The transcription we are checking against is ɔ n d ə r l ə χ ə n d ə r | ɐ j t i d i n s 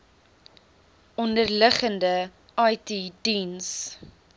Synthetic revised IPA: ɔ n d ə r l ə χ ə n d ə | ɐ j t i d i n s